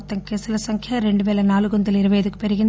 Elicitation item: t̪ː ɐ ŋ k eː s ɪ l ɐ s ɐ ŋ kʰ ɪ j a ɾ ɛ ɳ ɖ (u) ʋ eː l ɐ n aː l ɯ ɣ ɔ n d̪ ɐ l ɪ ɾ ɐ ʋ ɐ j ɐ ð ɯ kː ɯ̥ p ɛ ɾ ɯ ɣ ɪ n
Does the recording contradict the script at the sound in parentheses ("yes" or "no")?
yes